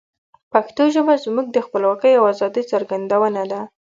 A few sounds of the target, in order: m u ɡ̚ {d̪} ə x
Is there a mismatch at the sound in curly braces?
no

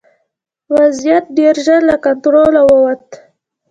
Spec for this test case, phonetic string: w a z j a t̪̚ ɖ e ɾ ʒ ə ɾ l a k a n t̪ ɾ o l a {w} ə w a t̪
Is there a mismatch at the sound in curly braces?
no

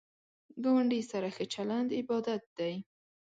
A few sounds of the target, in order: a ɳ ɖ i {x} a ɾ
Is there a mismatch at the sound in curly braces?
yes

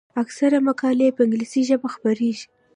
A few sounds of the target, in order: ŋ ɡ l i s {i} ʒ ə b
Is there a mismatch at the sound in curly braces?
no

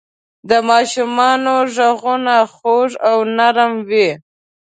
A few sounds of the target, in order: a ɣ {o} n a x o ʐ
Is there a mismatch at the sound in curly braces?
yes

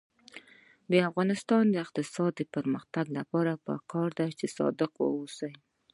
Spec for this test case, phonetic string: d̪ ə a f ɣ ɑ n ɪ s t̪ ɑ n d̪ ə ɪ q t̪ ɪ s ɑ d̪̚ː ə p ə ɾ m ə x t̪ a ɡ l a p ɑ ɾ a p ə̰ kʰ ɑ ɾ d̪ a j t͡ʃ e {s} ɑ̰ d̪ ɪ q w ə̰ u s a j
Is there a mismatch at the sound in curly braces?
no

